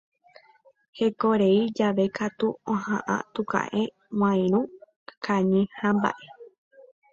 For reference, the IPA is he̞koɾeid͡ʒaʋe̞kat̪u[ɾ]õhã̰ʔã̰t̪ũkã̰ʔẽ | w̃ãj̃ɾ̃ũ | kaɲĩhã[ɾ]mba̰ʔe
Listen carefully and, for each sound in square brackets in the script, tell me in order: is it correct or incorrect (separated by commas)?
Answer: incorrect, incorrect